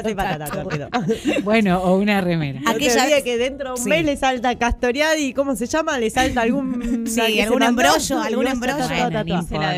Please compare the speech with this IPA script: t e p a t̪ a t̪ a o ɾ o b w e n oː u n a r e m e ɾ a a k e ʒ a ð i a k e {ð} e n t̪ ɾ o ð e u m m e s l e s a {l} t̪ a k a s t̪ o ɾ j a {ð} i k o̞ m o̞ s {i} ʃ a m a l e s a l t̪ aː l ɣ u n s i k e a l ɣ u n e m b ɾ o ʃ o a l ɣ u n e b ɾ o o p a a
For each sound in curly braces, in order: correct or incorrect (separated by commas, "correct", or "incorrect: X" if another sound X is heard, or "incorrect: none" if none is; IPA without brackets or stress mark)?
correct, correct, correct, incorrect: e